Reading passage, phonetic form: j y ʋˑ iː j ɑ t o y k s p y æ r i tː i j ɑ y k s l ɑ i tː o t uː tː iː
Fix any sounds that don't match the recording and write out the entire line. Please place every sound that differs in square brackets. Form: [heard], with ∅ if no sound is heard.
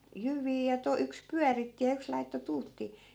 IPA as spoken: j y ʋˑ iː j ɑ t o y k s p y æ r i tː i j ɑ y k s l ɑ i tː o t uː tː iː